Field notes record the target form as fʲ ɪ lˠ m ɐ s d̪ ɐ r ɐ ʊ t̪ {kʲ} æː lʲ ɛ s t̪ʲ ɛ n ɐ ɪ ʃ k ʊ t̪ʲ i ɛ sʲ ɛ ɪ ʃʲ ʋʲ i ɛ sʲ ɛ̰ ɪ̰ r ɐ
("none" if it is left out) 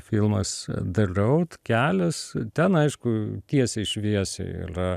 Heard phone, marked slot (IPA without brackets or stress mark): kʲ